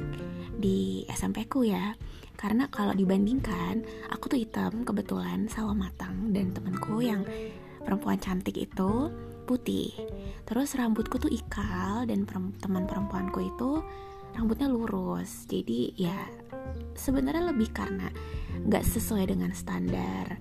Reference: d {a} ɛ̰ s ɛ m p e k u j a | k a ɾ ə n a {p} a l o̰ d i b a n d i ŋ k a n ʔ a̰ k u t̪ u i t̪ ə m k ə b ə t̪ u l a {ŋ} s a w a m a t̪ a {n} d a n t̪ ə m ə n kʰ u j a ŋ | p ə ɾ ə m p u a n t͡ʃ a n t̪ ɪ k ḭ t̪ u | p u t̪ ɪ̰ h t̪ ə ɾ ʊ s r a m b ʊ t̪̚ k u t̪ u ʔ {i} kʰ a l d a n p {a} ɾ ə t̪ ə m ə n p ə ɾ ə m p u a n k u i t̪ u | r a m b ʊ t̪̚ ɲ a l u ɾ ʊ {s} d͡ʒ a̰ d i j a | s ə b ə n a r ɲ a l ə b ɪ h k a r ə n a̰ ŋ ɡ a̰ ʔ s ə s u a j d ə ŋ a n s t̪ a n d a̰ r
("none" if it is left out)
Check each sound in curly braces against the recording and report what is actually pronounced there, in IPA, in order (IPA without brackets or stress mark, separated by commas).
i, k, n, ŋ, i, ə, s